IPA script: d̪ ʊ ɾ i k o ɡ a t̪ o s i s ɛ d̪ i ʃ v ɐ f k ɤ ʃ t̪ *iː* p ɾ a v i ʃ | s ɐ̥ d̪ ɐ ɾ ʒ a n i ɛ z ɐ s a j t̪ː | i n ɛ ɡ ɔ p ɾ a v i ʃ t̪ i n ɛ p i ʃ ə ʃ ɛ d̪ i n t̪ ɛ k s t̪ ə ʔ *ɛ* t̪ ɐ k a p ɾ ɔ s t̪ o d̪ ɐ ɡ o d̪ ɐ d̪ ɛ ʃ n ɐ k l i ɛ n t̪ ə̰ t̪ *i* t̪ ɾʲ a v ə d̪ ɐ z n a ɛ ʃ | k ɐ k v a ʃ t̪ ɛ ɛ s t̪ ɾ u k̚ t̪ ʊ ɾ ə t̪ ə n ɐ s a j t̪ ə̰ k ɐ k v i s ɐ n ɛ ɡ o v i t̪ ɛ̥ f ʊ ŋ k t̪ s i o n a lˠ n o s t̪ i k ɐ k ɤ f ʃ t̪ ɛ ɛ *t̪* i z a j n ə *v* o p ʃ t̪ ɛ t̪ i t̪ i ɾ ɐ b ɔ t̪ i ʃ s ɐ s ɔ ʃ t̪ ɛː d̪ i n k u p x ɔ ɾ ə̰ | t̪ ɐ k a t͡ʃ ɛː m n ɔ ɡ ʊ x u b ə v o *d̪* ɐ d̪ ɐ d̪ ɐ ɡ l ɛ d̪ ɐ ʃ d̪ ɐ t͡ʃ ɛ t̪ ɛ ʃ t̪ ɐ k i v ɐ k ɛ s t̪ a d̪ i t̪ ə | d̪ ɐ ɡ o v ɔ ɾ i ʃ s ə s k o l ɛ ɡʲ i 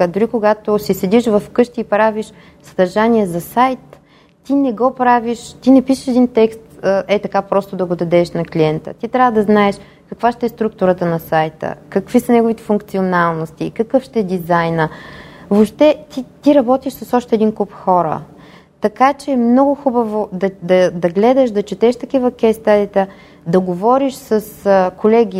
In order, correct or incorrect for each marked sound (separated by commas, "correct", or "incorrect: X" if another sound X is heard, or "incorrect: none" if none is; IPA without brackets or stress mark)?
correct, correct, correct, incorrect: d̪, correct, correct